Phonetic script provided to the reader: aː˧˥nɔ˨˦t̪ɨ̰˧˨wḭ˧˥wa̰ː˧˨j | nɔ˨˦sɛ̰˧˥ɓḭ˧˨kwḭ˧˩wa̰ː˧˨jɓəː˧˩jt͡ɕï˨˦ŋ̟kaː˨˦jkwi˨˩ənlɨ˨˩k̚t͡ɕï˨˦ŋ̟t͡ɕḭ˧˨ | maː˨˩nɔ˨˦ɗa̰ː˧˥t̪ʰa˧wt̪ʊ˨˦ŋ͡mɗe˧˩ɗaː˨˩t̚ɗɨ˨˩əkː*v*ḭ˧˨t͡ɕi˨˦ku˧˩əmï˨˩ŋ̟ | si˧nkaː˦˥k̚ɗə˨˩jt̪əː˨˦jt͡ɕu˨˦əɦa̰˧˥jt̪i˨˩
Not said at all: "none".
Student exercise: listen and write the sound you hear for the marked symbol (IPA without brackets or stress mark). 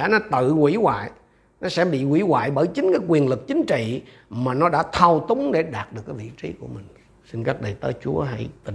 v